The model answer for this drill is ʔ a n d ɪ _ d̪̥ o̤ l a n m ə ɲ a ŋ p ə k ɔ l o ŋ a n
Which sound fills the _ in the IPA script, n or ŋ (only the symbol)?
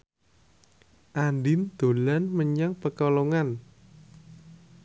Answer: n